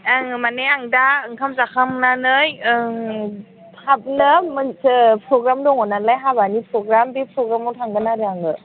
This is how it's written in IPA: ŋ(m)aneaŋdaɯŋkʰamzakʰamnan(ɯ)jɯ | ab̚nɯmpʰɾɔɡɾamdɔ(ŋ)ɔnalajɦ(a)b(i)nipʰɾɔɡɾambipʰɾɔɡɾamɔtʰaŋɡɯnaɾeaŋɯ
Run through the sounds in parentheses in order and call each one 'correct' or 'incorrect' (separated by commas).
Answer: correct, correct, correct, correct, incorrect